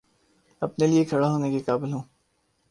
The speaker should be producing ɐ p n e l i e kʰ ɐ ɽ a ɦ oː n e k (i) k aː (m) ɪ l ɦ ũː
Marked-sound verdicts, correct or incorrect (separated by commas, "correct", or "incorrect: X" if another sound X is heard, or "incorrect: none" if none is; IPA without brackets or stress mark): incorrect: e, incorrect: b